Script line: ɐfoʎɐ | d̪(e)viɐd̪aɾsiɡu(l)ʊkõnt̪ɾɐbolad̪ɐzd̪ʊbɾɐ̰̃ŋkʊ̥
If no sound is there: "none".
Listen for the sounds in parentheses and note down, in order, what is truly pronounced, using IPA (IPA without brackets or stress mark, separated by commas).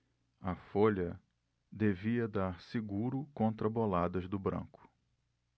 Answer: e, ɾ